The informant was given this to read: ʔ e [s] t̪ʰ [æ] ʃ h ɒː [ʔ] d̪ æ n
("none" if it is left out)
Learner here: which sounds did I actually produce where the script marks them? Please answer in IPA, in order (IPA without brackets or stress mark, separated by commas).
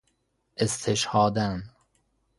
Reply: s, e, none